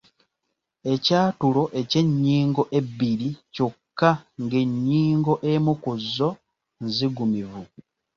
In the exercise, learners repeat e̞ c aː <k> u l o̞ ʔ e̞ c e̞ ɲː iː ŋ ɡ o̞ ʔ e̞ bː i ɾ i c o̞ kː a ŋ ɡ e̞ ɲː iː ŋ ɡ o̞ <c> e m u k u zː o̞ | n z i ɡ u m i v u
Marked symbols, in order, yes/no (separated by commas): no, no